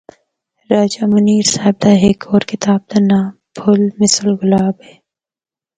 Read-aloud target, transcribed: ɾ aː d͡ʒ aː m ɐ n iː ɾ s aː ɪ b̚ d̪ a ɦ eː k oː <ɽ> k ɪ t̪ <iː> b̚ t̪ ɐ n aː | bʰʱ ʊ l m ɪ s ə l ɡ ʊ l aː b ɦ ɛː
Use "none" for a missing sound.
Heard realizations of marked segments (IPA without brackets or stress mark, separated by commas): ɾ, aː